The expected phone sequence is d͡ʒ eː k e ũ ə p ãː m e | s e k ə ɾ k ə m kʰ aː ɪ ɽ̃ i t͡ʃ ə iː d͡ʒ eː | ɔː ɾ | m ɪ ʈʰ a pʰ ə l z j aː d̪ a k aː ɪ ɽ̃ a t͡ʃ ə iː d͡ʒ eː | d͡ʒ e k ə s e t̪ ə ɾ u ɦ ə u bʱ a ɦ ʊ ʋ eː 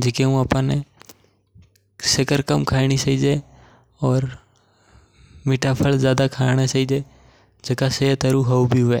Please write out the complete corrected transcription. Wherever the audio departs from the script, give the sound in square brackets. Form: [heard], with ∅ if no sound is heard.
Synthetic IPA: d͡ʒ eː k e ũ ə p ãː [n] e | s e k ə ɾ k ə m kʰ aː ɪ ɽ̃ i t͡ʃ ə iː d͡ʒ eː | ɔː ɾ | m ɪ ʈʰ a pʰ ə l z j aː d̪ a [kʰ] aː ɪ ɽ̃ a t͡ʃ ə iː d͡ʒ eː | d͡ʒ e k [a] s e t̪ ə ɾ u ɦ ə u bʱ [i] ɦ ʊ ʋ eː